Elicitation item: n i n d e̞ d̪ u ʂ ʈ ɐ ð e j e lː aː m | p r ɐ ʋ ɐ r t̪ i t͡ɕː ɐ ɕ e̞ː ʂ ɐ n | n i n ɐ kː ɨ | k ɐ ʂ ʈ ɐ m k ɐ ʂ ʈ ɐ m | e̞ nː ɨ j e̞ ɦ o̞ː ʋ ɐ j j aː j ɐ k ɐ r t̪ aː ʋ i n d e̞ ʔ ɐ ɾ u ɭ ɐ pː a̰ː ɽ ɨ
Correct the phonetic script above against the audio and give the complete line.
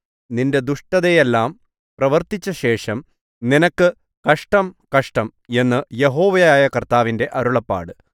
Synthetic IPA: n i n d e̞ d̪ u ʂ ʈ ɐ ð e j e lː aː m | p r ɐ ʋ ɐ r t̪ i t͡ɕː ɐ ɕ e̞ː ʂ ɐ m | n i n ɐ kː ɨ | k ɐ ʂ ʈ ɐ m k ɐ ʂ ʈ ɐ m | e̞ nː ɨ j e̞ ɦ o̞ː ʋ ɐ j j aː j ɐ k ɐ r t̪ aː ʋ i n d e̞ ʔ ɐ ɾ u ɭ ɐ pː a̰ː ɽ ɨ